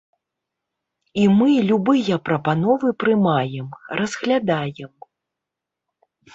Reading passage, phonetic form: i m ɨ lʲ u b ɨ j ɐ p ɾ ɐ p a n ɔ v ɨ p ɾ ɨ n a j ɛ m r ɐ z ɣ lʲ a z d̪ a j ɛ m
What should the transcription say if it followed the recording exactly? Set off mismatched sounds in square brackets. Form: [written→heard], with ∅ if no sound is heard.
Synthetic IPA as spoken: i m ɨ lʲ u b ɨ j ɐ p ɾ ɐ p a n ɔ v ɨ p ɾ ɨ [n→m] a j ɛ m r ɐ z ɣ lʲ a [z→∅] d̪ a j ɛ m